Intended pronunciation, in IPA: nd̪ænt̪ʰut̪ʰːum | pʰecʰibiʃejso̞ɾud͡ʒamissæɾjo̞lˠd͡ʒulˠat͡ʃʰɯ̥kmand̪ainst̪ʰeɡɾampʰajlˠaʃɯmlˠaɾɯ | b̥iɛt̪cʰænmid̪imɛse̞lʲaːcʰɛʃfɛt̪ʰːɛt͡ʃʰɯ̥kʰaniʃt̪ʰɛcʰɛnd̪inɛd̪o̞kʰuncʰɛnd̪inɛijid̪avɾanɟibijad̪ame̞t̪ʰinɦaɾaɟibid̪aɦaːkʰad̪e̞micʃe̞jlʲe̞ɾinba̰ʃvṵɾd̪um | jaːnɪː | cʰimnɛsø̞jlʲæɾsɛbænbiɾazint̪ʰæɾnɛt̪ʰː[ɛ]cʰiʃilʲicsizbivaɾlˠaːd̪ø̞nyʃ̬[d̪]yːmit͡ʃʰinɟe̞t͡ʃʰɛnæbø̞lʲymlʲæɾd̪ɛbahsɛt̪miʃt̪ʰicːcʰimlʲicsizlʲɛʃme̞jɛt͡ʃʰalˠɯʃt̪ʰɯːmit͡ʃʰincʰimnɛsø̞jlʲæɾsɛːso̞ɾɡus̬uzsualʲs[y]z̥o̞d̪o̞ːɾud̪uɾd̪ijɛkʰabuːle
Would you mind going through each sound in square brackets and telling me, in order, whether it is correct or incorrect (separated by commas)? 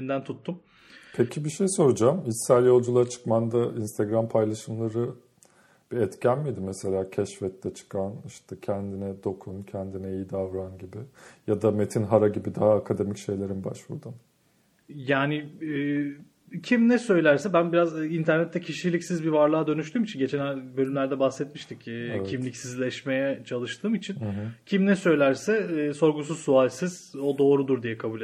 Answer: correct, incorrect, incorrect